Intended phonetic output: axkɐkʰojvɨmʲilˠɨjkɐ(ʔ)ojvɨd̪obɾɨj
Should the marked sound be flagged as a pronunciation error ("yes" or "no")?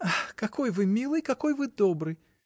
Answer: yes